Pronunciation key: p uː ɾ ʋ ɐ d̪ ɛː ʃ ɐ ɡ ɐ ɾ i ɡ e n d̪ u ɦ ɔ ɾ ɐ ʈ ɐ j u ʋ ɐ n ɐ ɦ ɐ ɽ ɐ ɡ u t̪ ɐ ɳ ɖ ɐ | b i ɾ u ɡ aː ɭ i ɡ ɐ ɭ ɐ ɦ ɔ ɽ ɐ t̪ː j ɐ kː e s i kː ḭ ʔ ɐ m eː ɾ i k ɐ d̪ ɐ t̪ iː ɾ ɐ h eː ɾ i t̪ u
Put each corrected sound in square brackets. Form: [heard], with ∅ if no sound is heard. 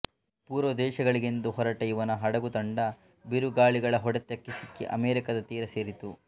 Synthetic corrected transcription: p uː ɾ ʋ ɐ d̪ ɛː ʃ ɐ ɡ ɐ [ɭ] i ɡ e n d̪ u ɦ ɔ ɾ ɐ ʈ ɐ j u ʋ ɐ n ɐ ɦ ɐ ɽ ɐ ɡ u t̪ ɐ ɳ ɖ ɐ | b i ɾ u ɡ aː ɭ i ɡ ɐ ɭ ɐ ɦ ɔ ɽ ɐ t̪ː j ɐ kː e s i kː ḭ ʔ ɐ m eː ɾ i k ɐ d̪ ɐ t̪ iː ɾ ɐ [s] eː ɾ i t̪ u